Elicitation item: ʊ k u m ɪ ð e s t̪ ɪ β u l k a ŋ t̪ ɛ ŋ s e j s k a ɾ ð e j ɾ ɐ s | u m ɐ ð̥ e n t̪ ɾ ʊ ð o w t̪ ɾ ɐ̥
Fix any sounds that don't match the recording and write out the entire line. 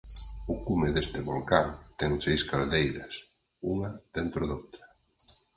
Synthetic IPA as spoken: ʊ k u m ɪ ð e s t̪ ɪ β o l k a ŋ t̪ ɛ ŋ s e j s k a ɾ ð e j ɾ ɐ s | u ŋ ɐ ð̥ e n t̪ ɾ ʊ ð o w t̪ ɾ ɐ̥